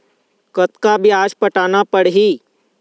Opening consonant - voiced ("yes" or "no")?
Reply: no